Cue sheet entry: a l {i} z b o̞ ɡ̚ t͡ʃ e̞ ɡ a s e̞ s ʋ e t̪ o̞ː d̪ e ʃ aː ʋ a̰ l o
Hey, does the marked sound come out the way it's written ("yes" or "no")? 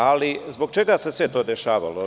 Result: yes